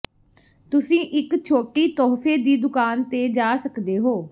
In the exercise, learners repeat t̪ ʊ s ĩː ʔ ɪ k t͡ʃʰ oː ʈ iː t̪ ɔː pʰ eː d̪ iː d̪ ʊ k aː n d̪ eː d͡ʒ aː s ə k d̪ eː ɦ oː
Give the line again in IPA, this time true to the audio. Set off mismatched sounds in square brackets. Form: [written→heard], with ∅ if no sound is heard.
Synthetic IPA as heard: t̪ ʊ s ĩː ʔ ɪ k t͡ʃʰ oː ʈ iː t̪ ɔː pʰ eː d̪ iː d̪ ʊ k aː n [d̪→t̪] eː d͡ʒ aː s ə k d̪ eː ɦ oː

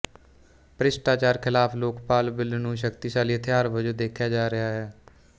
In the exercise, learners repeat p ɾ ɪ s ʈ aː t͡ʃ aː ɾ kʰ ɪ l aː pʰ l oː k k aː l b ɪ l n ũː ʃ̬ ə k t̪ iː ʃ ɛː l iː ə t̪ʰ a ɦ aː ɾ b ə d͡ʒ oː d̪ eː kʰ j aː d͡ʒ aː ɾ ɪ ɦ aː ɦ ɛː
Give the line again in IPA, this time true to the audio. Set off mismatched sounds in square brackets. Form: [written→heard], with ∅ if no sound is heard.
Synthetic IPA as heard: p ɾ ɪ s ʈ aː t͡ʃ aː ɾ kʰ ɪ l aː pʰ l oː k [k→p] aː l b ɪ l n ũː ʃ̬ ə k t̪ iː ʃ [ɛː→aː] l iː ə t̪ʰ [a→e] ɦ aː ɾ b ə d͡ʒ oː d̪ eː kʰ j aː d͡ʒ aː ɾ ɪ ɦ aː ɦ ɛː

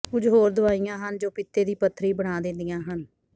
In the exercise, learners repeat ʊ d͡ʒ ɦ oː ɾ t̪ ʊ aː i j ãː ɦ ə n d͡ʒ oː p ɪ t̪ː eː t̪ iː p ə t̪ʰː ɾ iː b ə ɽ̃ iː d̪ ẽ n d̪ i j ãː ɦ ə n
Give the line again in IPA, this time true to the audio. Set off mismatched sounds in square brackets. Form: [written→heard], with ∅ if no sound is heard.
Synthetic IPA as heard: ʊ d͡ʒ ɦ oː ɾ [t̪→d̪] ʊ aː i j ãː ɦ ə n d͡ʒ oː p ɪ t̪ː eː [t̪→d̪] iː p ə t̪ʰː ɾ iː b ə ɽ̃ [iː→aː] d̪ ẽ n d̪ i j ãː ɦ ə n

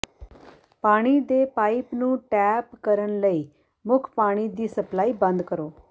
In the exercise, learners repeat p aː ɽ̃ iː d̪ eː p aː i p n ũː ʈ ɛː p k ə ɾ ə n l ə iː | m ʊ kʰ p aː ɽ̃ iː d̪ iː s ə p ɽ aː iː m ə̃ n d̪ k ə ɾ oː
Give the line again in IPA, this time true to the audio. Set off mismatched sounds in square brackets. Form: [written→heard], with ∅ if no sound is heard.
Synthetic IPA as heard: p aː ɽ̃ iː d̪ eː p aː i p n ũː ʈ ɛː p k ə ɾ ə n l ə iː | m ʊ kʰ p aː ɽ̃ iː d̪ iː s ə p [ɽ→l] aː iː [m→b] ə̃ n d̪ k ə ɾ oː

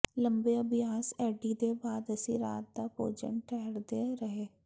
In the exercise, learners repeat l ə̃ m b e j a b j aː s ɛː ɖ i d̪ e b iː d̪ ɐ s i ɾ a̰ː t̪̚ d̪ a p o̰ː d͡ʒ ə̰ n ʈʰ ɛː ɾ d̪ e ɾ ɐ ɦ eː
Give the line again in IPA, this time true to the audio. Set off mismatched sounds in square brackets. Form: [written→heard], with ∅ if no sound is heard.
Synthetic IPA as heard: l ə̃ m b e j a b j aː s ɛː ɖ i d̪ e b [iː→aː] d̪ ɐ s i ɾ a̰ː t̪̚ d̪ a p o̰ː d͡ʒ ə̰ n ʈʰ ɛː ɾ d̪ e ɾ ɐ ɦ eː

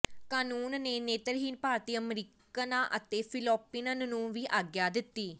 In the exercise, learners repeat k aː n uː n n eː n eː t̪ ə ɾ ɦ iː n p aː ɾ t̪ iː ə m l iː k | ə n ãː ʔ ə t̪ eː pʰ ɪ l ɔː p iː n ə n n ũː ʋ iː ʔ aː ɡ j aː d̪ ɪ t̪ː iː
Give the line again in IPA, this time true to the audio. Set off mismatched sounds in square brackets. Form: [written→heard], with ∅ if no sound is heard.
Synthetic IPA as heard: k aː n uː n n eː n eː t̪ ə ɾ ɦ iː n p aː ɾ t̪ iː ə m [l→ɾ] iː k | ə n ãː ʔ ə t̪ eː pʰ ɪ l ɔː p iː n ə n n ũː ʋ iː ʔ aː ɡ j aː d̪ ɪ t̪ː iː

